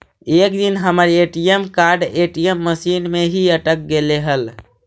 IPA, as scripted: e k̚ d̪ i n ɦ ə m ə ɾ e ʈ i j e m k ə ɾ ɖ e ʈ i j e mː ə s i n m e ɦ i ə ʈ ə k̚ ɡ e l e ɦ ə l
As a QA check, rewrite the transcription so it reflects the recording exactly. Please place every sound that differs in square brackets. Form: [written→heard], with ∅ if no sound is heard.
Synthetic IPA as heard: e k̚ d̪ i n ɦ ə m ə ɾ e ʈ i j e m k [ə→a] ɾ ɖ e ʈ i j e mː ə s i n m e ɦ i ə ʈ ə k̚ ɡ e l e ɦ ə l

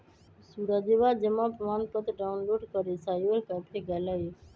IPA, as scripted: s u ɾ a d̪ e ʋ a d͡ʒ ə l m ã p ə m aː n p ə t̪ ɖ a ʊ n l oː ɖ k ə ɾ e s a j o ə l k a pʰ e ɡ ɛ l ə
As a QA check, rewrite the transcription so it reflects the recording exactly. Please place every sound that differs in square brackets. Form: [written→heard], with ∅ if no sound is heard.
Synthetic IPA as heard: s u ɾ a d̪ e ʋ a d͡ʒ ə [l→∅] m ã p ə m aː n p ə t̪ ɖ a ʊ n l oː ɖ k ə ɾ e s a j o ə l k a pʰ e ɡ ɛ l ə

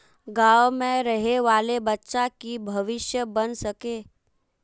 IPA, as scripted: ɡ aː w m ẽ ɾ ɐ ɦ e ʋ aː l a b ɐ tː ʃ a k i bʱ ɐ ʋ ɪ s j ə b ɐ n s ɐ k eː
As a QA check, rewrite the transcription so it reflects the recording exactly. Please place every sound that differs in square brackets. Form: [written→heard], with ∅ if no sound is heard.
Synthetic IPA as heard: ɡ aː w m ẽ ɾ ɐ ɦ e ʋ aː l [a→e] b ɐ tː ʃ a k i bʱ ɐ ʋ ɪ [s→ʃ] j ə b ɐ n s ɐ k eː

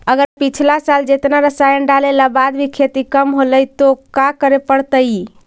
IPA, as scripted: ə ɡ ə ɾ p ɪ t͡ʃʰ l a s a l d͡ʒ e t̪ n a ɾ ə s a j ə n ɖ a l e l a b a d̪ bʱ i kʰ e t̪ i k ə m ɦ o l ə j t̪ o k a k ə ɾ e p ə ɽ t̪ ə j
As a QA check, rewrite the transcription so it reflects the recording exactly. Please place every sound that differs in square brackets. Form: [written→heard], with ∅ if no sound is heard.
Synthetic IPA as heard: ə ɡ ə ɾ p [ɪ→i] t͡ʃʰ l a s a l d͡ʒ e t̪ n a ɾ ə s a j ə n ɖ a l e l a b a d̪ bʱ i kʰ e t̪ i k ə m ɦ o l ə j t̪ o k a k ə ɾ e p ə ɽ t̪ ə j

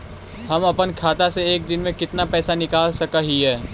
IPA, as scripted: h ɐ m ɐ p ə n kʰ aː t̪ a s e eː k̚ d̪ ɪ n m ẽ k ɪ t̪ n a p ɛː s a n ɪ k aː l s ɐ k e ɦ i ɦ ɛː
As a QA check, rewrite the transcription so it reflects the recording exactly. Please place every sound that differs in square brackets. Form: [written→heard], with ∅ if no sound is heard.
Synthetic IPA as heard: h ɐ m ɐ p ə n kʰ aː t̪ a s e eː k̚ d̪ ɪ n m ẽ k ɪ t̪ n a p ɛː s a n ɪ k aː l s ɐ k [e→a] ɦ i ɦ ɛː

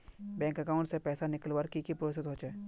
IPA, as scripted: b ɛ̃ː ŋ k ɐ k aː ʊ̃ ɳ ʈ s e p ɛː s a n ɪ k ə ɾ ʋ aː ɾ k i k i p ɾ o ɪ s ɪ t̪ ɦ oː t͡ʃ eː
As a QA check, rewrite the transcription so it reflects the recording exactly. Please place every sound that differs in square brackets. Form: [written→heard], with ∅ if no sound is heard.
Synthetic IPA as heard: b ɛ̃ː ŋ k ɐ k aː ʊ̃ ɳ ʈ s e p ɛː s a n ɪ k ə [ɾ→l] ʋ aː ɾ k i k i p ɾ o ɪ s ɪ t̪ ɦ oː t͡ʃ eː

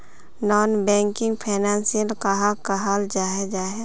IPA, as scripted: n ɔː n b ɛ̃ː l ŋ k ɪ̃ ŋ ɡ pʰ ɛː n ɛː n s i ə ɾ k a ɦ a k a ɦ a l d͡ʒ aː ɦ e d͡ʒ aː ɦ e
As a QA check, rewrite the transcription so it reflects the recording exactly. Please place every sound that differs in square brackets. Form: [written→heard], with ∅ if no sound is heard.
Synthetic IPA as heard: n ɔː n b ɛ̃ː [l→∅] ŋ k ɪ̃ ŋ ɡ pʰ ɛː n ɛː n s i ə [ɾ→l] k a ɦ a k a ɦ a l d͡ʒ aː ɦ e d͡ʒ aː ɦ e

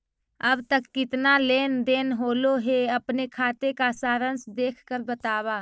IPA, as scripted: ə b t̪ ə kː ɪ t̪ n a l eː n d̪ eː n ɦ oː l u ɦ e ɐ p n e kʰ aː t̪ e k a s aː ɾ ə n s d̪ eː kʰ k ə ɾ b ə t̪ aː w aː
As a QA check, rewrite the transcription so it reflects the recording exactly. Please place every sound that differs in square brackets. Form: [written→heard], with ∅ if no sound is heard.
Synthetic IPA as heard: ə b t̪ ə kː ɪ t̪ n a l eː n d̪ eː n ɦ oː l [u→o] ɦ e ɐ p n e kʰ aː t̪ e k a s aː ɾ ə n s d̪ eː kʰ k ə ɾ b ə t̪ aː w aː

